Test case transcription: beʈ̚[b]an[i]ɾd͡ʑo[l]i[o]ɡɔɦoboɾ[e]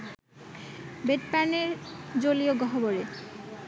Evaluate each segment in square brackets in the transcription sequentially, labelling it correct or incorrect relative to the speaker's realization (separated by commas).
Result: incorrect, incorrect, correct, correct, correct